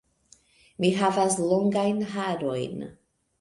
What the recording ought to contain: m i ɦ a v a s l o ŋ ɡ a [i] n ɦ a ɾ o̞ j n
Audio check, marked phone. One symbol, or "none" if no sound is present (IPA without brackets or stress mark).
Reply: j